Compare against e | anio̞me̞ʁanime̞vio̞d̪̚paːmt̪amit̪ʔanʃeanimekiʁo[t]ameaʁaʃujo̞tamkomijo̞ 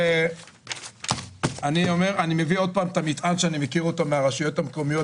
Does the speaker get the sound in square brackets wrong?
no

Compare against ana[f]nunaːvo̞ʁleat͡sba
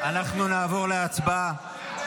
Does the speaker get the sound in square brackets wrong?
yes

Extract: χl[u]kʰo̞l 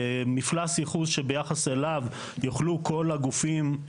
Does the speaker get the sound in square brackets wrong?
no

